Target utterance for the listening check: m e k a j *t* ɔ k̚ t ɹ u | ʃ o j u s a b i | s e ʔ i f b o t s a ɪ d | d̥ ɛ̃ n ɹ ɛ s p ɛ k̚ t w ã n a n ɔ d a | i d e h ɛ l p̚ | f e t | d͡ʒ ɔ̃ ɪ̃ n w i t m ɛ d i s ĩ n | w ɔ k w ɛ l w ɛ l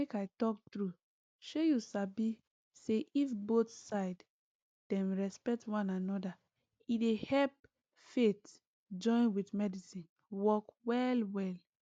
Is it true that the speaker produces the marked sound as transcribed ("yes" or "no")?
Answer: yes